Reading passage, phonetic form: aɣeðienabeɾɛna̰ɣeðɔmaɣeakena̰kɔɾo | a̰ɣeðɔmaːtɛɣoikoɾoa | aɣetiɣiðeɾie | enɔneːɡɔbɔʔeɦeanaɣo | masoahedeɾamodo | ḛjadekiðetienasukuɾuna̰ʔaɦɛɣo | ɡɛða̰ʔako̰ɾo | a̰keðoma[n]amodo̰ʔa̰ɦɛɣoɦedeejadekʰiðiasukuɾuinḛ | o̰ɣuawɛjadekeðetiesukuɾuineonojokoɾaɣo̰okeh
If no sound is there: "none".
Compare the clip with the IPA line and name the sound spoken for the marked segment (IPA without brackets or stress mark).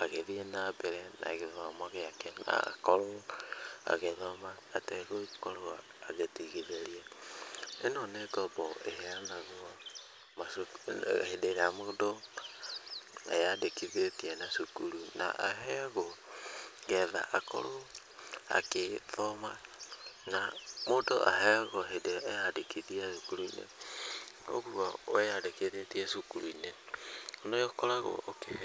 n